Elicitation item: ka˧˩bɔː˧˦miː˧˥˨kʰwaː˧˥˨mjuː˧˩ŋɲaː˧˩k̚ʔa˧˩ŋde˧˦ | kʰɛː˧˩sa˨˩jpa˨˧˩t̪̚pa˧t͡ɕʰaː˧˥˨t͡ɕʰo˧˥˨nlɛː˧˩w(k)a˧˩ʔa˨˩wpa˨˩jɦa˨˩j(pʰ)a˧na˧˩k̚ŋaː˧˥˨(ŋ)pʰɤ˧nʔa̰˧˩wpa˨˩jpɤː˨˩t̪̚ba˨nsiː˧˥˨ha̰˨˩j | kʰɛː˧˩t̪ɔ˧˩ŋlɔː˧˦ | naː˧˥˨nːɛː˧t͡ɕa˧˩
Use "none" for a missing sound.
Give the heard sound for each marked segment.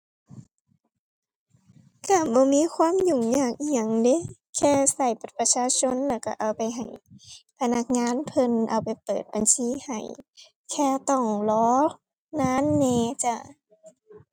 k, pʰ, n

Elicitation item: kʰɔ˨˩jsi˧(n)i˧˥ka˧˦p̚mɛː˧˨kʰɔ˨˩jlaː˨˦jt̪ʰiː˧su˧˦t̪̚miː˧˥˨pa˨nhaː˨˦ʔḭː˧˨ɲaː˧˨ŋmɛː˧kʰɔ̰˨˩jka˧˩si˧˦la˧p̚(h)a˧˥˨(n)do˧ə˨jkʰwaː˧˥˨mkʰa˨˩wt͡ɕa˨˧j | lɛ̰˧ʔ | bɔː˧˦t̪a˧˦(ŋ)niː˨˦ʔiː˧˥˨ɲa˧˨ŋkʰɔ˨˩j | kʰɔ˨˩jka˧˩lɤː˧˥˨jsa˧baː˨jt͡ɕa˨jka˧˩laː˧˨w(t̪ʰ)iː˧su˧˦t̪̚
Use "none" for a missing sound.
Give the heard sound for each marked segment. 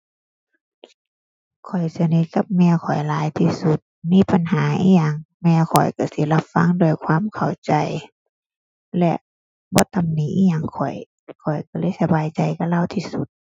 n, f, ŋ, m, t̪ʰ

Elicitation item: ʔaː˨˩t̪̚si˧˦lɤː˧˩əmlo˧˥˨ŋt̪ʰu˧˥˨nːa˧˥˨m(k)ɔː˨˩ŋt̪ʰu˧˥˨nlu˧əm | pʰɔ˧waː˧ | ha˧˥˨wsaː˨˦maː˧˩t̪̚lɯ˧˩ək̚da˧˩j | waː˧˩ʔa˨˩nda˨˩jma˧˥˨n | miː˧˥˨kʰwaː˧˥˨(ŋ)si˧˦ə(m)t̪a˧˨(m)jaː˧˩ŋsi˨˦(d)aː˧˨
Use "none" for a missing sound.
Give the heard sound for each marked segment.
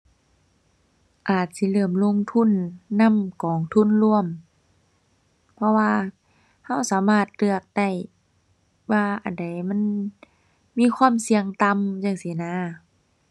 k, m, ŋ, m, n

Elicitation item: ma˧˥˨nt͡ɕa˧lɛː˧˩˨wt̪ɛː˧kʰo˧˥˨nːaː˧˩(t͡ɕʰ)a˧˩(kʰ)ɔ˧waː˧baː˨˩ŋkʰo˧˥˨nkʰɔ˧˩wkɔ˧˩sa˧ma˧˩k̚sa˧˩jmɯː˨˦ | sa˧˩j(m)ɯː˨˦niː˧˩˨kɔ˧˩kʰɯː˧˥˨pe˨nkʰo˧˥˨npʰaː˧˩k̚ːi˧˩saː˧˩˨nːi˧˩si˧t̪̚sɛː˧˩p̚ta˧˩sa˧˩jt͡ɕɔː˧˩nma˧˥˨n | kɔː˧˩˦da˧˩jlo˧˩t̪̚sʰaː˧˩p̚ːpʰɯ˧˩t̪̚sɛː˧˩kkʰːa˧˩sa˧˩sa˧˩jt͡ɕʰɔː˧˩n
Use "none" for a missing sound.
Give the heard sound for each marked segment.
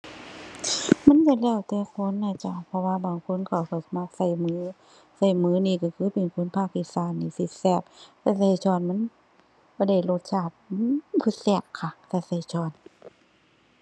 t͡ɕ, pʰ, m

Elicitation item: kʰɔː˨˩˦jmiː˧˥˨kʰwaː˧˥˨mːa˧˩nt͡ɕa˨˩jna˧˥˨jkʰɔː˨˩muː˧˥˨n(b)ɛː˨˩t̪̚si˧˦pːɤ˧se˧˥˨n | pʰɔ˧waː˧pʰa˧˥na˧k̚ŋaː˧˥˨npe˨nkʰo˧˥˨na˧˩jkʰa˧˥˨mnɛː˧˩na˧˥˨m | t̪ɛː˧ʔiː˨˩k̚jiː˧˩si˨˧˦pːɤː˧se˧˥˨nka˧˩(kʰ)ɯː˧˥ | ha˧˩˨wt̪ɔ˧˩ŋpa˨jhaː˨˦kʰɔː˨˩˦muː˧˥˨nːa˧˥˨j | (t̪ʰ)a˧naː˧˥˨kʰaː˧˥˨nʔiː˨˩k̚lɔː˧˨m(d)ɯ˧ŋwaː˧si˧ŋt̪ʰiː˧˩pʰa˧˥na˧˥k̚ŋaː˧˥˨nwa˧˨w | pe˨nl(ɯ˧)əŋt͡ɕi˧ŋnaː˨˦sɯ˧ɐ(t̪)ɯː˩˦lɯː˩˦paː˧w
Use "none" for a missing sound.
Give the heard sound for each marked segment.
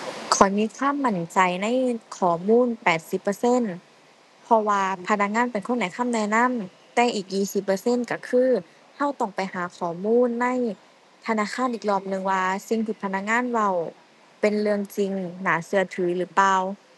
p, kʰ, t̪ʰ, n, ɯ˧, t̪ʰ

